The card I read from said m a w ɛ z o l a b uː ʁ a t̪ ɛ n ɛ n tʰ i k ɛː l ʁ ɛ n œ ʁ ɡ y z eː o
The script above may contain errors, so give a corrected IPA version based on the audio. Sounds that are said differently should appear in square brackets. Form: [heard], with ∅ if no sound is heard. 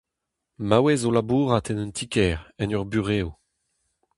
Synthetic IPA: m a w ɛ z o l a b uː ʁ a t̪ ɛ n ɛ n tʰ i k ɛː [∅] ʁ ɛ n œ ʁ [b] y [ʁ] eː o